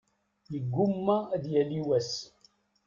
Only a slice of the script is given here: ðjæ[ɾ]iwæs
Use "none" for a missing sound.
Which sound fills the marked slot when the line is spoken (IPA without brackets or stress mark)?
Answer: l